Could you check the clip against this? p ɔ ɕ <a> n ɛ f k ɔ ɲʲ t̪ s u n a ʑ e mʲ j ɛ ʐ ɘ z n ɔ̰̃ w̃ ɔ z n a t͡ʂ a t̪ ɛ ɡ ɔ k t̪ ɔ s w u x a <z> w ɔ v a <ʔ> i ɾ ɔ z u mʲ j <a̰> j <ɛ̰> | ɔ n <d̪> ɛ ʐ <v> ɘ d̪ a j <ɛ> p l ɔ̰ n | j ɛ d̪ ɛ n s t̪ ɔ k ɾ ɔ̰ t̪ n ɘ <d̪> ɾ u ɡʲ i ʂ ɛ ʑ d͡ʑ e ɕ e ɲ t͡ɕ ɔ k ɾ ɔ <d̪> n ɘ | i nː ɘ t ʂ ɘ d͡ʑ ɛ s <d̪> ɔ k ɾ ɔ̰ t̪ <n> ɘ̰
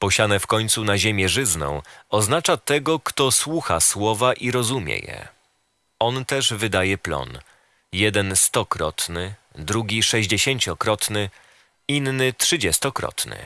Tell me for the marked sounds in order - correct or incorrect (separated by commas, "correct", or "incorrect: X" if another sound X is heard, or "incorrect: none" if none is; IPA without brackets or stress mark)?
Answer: correct, incorrect: s, correct, incorrect: ɛ̰, correct, incorrect: t̪, correct, correct, correct, incorrect: t̪, incorrect: t̪, correct